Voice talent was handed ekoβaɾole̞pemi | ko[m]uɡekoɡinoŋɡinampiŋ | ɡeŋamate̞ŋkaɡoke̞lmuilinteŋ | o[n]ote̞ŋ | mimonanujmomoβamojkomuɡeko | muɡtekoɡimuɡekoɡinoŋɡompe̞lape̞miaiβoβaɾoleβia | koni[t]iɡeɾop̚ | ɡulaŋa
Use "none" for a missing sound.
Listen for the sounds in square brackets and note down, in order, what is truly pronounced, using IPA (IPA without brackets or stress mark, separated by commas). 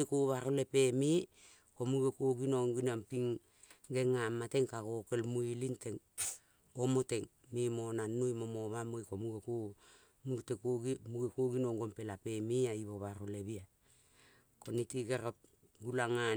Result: m, m, t